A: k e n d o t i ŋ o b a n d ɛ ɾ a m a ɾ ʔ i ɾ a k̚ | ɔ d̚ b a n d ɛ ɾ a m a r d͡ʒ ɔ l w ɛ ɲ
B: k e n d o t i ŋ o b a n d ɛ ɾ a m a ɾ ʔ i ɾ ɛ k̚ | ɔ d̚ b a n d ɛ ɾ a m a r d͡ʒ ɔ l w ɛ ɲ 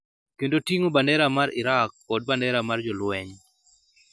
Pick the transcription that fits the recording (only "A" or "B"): A